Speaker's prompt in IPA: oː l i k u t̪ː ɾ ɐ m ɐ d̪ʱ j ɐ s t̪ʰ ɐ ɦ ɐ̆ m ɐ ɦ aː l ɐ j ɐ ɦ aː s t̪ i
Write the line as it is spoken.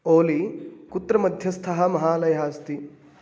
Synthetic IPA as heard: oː l i k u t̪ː ɾ ɐ m ɐ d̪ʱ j ɐ s t̪ʰ ɐ ɦ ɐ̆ m ɐ ɦ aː l ɐ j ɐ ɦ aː s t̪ i